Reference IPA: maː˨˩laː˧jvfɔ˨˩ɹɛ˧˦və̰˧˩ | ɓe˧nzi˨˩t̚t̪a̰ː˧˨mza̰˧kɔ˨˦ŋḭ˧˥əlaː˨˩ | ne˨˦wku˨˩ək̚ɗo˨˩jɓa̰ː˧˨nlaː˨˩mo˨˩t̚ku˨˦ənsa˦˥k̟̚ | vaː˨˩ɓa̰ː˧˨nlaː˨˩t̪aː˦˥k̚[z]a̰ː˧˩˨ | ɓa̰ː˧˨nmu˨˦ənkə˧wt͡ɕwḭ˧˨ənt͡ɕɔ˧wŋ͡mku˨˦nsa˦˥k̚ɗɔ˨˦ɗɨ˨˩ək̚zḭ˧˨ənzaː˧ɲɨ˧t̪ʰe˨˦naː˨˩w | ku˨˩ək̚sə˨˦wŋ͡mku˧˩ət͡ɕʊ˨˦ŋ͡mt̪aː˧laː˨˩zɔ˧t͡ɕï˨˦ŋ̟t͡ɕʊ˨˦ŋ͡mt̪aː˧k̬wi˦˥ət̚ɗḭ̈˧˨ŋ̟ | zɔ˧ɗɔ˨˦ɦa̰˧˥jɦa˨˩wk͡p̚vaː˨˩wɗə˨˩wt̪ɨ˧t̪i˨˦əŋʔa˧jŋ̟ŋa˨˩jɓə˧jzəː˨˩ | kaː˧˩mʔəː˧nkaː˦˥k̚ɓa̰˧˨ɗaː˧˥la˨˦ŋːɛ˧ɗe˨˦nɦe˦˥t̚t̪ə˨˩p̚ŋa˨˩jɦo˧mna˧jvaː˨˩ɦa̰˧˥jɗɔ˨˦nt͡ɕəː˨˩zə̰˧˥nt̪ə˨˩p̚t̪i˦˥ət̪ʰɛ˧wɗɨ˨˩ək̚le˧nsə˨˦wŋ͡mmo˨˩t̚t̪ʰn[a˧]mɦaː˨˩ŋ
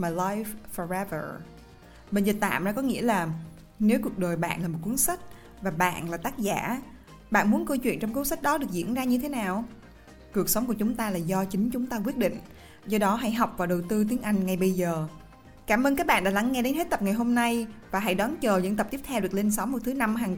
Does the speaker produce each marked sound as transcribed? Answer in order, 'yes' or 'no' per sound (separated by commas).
yes, yes